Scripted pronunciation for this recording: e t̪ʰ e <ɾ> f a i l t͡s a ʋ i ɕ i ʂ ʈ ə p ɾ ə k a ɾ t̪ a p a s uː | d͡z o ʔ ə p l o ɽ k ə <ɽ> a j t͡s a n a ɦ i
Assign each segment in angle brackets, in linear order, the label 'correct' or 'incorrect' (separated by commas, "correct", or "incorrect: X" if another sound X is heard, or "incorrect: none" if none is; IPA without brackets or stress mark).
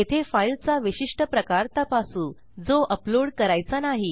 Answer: incorrect: none, incorrect: ɾ